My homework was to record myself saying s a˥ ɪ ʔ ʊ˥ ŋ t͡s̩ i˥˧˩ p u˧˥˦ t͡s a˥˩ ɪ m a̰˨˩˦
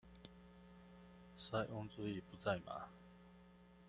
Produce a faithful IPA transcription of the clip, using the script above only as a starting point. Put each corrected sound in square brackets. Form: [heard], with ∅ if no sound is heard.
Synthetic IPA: s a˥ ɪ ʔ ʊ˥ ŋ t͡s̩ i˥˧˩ p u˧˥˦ t͡s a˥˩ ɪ m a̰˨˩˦